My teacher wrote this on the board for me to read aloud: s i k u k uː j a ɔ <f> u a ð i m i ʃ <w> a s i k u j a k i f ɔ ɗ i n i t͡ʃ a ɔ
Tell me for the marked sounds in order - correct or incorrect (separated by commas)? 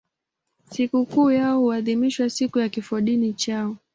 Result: incorrect, correct